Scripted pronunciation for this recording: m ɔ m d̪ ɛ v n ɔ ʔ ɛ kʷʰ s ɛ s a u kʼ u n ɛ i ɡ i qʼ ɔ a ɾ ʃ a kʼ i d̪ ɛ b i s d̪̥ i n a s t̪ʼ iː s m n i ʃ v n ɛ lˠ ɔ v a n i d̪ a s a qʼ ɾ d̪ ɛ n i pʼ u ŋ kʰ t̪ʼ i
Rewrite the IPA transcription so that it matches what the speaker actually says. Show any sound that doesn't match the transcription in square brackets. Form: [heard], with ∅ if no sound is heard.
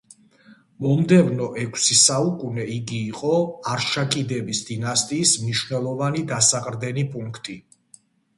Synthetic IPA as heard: m ɔ m d̪ ɛ v n ɔ ʔ ɛ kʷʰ s [i] s a u kʼ u n ɛ i ɡ [iː] qʼ ɔ a ɾ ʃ a kʼ i d̪ ɛ b i s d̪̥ i n a s t̪ʼ iː s m n i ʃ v n ɛ lˠ ɔ v a n i d̪ a s a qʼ ɾ d̪ ɛ n i pʼ u ŋ kʰ t̪ʼ i